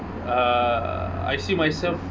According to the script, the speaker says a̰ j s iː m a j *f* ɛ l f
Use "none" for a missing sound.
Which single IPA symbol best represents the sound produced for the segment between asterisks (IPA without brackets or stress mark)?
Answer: s